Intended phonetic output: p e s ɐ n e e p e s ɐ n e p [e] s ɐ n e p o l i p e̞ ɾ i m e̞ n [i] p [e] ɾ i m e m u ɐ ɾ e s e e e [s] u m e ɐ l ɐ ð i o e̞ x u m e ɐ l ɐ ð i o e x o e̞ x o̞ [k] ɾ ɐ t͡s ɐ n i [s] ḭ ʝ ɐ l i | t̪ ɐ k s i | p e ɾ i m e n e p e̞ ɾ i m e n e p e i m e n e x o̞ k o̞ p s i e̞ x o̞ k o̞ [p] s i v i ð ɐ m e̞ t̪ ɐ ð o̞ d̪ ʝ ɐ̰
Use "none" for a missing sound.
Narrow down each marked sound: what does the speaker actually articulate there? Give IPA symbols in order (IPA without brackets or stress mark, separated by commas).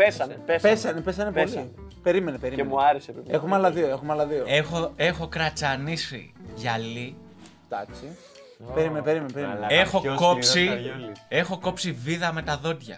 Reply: e, e, e, x, k, s, p